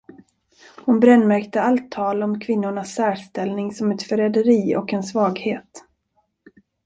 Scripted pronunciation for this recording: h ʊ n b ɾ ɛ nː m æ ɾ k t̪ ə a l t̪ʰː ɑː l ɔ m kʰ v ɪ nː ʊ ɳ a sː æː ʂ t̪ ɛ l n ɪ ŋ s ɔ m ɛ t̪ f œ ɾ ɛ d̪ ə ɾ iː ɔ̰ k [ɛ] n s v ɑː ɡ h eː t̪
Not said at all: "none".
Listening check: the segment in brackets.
ɛ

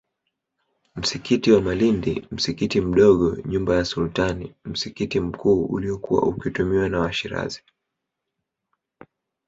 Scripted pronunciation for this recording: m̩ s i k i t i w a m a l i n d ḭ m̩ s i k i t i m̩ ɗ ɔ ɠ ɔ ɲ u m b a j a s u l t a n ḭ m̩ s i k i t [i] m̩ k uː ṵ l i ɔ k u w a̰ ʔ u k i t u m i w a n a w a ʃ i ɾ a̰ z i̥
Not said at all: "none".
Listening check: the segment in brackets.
i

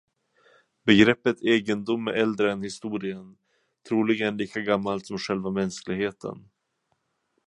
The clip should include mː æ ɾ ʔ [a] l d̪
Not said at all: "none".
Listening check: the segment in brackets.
ɛ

